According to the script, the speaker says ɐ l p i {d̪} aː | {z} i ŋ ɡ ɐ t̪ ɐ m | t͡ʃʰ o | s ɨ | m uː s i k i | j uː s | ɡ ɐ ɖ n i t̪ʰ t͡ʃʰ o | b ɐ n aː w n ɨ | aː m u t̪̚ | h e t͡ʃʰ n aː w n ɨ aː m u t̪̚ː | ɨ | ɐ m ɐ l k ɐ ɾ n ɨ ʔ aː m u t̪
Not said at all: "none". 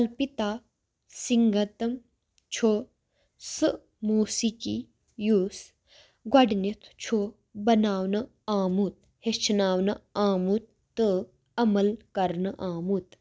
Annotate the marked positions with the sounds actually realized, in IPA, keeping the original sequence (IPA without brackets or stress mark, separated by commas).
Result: t̪, s